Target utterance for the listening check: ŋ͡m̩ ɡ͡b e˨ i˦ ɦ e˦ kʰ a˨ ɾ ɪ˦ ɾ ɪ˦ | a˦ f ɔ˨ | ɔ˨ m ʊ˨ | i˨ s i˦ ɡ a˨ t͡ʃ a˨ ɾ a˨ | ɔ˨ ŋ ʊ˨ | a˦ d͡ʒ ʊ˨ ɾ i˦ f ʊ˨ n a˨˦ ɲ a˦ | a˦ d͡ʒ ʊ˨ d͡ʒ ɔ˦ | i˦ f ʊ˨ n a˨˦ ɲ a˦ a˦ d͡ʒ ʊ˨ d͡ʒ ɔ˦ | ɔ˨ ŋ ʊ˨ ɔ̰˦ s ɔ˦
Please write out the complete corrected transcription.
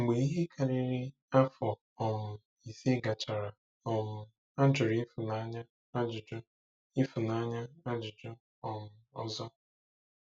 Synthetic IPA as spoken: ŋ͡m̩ ɡ͡b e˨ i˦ ɦ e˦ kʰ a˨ ɾ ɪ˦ ɾ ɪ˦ | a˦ f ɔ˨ | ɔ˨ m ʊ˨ | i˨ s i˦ ɡ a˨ t͡ʃ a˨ ɾ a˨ | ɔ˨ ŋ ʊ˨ | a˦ d͡ʒ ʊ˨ ɾ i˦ f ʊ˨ n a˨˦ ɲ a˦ | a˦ d͡ʒ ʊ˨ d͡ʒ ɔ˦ | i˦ f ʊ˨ n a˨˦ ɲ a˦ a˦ d͡ʒ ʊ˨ d͡ʒ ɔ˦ | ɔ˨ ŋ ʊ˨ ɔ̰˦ z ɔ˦

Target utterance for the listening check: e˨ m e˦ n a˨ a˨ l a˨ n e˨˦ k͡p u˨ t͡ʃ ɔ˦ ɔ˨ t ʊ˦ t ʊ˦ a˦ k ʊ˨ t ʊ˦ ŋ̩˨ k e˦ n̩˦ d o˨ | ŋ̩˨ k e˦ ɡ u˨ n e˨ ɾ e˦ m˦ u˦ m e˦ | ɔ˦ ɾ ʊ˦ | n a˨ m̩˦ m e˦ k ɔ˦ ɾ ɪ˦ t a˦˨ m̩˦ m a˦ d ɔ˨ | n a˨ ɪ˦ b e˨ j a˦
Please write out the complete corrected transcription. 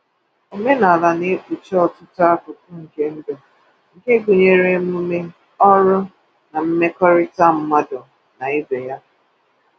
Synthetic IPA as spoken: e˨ m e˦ n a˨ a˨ l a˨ n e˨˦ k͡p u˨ t͡ʃ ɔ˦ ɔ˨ t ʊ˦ t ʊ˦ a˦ k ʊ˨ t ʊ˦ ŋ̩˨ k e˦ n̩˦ d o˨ | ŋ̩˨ k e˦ ɡ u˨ ɲ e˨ ɾ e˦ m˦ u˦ m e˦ | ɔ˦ ɾ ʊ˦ | n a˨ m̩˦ m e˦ k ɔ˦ ɾ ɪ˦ t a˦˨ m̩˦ m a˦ d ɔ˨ | n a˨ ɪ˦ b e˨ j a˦

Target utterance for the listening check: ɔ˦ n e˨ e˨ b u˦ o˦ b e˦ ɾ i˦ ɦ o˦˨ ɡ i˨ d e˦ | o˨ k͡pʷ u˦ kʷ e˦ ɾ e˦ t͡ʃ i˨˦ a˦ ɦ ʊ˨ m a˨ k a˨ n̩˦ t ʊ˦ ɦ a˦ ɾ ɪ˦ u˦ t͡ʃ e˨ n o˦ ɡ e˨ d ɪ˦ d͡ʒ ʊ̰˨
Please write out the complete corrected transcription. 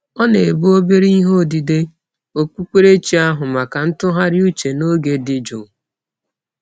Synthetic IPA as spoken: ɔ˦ n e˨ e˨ b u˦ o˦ b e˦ ɾ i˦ ɦ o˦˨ d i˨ d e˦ | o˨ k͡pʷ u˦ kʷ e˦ ɾ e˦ t͡ʃ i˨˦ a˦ ɦ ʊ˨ m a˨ k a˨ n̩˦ t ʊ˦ ɦ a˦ ɾ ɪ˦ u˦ t͡ʃ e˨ n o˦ ɡ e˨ d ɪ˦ d͡ʒ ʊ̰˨

